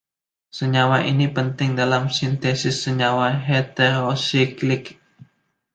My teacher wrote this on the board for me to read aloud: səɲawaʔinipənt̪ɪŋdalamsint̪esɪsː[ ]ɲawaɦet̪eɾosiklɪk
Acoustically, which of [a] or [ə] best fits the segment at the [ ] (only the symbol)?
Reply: ə